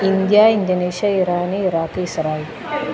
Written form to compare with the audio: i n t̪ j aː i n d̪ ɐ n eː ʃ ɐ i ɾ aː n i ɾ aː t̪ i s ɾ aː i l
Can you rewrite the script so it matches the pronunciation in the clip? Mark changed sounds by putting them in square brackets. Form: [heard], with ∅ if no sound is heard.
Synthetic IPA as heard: i n [d̪] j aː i n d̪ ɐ n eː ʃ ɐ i ɾ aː n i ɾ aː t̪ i s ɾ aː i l